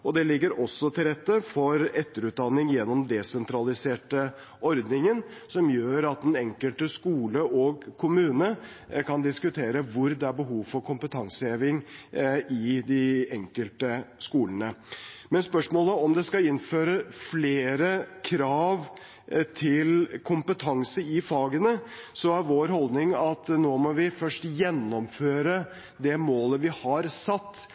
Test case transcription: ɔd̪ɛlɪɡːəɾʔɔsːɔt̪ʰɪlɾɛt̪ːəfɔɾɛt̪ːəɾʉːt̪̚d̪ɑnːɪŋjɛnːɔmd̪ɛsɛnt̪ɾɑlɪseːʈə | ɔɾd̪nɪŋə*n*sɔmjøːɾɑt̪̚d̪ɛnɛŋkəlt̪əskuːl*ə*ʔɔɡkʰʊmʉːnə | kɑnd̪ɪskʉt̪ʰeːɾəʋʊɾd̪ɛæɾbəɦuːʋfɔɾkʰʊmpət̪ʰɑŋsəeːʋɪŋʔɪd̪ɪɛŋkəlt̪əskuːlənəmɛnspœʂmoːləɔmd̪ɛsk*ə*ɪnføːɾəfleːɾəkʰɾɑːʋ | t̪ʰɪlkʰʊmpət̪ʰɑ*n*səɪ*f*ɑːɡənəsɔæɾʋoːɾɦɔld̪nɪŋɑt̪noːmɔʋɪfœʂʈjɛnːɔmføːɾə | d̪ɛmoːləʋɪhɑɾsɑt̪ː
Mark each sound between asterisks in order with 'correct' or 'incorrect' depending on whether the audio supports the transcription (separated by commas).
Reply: correct, correct, incorrect, incorrect, correct